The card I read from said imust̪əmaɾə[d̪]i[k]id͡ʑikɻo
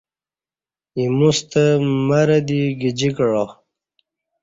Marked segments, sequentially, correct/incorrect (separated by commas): correct, incorrect